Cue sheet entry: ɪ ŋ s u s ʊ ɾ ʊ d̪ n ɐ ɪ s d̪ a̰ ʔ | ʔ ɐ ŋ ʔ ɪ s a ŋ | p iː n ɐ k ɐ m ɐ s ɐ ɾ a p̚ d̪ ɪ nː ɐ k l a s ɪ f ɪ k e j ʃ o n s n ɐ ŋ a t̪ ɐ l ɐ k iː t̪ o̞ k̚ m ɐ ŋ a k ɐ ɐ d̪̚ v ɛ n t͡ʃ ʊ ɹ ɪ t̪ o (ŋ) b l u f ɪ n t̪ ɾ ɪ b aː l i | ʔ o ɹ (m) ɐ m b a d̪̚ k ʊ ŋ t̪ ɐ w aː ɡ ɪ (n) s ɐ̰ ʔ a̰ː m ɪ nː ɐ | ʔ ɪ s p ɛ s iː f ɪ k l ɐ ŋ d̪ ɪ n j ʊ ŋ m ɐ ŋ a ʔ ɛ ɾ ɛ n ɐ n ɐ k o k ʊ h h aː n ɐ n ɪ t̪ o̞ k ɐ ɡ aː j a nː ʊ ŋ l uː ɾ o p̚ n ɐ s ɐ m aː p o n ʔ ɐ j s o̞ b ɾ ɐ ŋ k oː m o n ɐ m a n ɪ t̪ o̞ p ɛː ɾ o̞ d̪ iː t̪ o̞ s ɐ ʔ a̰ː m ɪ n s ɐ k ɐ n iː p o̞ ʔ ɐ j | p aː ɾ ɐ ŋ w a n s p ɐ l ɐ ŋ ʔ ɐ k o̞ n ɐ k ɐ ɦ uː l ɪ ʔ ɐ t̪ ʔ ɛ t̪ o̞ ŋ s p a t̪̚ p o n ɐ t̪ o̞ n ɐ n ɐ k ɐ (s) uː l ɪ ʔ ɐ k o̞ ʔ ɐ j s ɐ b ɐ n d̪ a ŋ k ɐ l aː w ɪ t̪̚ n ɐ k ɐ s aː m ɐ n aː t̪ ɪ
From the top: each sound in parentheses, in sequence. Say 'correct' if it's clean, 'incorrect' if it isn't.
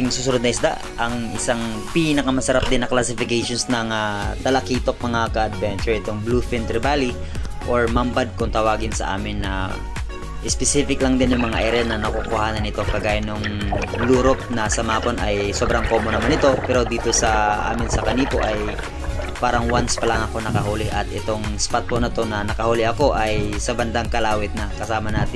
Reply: correct, correct, correct, incorrect: h

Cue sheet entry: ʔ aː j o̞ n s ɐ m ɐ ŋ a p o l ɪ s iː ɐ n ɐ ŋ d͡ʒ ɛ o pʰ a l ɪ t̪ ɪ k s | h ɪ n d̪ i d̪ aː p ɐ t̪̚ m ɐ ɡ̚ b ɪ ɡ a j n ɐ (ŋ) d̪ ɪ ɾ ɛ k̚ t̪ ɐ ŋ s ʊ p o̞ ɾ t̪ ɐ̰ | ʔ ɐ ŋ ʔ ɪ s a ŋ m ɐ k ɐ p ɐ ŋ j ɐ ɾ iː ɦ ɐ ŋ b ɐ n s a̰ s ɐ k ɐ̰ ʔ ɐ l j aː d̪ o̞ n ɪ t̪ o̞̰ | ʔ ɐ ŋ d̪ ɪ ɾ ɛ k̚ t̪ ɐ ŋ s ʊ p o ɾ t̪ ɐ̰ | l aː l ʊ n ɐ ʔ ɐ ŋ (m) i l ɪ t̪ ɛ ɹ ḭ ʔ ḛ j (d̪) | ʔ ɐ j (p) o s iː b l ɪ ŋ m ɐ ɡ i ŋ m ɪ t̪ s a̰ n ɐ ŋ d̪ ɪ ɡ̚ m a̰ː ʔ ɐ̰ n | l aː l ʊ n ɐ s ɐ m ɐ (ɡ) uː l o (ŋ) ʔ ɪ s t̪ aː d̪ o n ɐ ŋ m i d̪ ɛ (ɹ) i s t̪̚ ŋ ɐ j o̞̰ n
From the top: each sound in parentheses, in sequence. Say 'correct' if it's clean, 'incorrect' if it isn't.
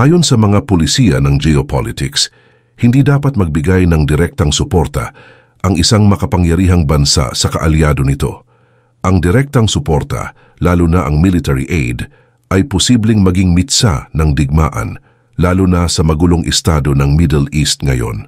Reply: correct, correct, correct, correct, correct, correct, incorrect: l

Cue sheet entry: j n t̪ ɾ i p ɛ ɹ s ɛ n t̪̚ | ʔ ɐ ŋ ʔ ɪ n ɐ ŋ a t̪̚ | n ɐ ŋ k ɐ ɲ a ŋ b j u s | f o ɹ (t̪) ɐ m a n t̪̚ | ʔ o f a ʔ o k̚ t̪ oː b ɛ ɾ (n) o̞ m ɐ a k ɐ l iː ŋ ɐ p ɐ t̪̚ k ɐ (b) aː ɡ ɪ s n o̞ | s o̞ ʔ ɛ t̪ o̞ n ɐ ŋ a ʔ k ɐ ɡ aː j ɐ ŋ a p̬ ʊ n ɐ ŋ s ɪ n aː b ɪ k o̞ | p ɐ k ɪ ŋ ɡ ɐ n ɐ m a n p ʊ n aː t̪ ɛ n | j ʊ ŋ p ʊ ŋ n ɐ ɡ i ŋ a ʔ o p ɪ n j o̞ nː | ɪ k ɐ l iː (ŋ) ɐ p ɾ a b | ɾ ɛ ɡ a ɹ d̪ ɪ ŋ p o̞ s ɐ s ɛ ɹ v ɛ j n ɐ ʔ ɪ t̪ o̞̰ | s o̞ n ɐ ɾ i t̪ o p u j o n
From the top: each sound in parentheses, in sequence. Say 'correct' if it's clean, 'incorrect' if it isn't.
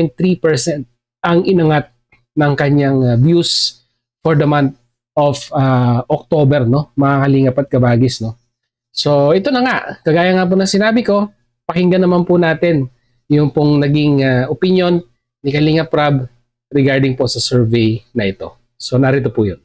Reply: incorrect: d̪, correct, correct, correct

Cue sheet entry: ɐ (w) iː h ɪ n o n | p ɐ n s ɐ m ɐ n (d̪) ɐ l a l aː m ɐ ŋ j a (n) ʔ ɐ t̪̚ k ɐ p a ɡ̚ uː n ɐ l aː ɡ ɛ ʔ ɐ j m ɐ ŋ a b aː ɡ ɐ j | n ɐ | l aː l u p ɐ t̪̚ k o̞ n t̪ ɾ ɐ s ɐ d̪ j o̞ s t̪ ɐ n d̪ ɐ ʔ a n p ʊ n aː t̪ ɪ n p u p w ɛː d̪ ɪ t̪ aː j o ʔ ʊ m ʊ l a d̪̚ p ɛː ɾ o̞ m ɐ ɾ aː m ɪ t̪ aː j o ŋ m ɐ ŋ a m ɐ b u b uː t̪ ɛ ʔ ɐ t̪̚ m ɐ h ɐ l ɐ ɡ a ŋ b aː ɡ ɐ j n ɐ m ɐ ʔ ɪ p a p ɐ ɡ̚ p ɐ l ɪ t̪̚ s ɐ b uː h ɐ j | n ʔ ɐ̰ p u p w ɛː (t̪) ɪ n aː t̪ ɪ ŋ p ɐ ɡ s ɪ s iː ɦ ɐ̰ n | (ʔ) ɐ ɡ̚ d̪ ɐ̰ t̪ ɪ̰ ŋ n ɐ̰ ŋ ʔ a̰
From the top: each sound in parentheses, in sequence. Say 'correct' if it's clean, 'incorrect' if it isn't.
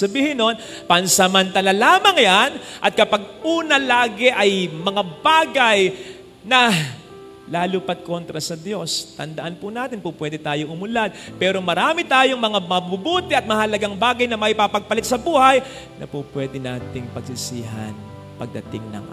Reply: incorrect: b, incorrect: t̪, correct, incorrect: d̪, incorrect: p

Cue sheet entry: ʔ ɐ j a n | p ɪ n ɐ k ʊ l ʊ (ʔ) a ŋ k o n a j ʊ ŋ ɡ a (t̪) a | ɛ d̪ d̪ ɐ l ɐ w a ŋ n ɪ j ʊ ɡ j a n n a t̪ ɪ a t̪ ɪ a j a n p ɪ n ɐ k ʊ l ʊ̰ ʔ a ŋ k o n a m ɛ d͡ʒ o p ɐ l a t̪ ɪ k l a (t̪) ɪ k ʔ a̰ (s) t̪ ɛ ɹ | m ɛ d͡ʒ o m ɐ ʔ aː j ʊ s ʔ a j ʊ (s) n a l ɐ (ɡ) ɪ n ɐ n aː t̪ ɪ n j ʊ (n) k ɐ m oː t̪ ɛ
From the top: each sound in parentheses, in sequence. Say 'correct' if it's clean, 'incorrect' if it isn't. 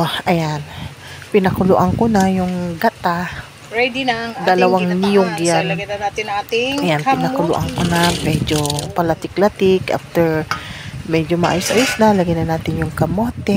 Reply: correct, correct, correct, incorrect: f, correct, correct, incorrect: ŋ

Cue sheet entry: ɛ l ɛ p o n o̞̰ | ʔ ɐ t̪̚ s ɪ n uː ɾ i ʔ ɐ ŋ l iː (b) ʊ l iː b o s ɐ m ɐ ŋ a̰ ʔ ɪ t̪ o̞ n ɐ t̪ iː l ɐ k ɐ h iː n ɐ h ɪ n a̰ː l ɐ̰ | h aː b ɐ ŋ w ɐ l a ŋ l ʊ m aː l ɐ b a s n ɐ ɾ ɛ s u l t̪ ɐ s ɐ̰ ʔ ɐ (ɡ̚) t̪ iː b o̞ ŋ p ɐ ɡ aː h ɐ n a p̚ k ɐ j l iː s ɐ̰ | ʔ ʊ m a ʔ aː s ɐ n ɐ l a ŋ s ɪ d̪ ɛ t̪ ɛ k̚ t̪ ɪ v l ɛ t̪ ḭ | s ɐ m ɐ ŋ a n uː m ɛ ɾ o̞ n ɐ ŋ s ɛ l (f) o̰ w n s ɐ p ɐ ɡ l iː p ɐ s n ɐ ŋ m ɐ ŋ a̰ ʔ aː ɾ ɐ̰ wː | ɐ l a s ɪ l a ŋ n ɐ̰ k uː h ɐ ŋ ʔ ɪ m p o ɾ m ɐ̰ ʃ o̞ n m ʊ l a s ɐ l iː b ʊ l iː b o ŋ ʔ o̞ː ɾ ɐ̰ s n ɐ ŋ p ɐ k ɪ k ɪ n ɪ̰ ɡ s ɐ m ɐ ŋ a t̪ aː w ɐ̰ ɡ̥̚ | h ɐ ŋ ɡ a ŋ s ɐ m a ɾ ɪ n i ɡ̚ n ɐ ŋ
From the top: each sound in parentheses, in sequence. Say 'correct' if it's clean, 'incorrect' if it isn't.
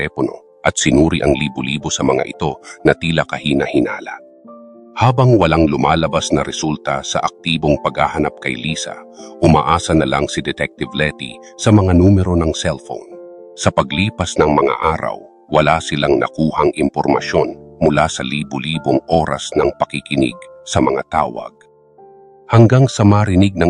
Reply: correct, incorrect: k̚, correct

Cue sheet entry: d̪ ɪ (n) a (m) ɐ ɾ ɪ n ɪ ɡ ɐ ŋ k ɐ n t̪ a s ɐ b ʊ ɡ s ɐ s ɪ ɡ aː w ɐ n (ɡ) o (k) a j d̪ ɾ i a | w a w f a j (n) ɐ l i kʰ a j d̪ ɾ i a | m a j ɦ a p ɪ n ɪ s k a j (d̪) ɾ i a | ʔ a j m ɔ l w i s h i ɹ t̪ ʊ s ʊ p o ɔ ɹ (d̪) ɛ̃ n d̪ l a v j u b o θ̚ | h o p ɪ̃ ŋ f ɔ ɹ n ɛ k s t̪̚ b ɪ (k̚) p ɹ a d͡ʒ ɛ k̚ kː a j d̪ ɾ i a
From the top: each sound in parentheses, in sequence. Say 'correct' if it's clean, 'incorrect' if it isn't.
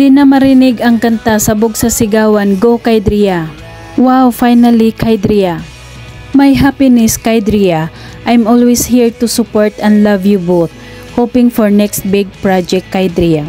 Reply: correct, correct, correct, correct, correct, correct, incorrect: t̪, incorrect: ɡ̚

